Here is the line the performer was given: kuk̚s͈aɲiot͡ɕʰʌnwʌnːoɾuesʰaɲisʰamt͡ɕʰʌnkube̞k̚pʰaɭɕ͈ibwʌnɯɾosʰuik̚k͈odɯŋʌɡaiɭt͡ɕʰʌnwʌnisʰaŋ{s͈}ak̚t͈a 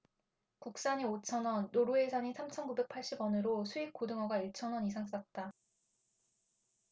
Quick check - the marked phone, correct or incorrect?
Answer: correct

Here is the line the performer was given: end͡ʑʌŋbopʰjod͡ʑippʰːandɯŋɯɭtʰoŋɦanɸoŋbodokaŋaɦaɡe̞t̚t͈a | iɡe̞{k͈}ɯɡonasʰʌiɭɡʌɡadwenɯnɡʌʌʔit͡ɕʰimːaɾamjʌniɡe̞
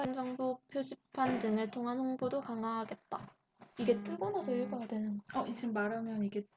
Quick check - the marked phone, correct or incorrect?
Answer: incorrect: t͈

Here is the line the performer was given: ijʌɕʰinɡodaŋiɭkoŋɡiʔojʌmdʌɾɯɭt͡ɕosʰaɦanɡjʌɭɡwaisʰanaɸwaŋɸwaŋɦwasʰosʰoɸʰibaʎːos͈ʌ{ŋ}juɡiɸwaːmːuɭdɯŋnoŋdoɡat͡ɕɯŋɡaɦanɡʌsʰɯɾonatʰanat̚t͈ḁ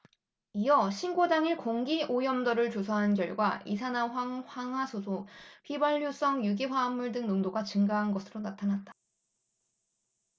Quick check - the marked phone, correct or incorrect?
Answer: correct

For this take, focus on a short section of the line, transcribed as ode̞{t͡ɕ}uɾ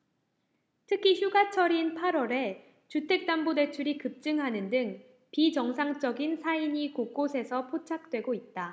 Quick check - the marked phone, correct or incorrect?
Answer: incorrect: t͡ɕʰ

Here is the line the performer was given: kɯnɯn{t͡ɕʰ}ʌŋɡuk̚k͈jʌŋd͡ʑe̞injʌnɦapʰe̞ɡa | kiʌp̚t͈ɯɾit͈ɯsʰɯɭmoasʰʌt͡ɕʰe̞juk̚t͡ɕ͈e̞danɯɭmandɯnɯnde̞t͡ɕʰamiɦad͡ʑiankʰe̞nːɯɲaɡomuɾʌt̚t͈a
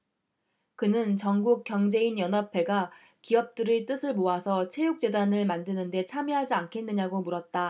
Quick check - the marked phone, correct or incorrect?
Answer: incorrect: t͡ɕ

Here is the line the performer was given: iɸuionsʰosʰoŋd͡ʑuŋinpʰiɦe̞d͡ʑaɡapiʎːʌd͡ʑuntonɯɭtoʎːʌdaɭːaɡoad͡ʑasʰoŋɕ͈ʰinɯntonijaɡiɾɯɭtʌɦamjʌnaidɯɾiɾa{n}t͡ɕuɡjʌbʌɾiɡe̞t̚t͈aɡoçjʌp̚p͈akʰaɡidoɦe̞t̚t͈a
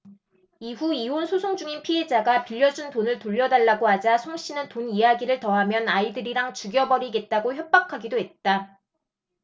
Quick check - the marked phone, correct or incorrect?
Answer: incorrect: ŋ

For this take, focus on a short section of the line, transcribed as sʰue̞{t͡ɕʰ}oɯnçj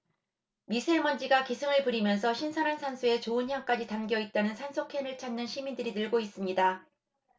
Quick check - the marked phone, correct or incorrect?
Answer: incorrect: t͡ɕ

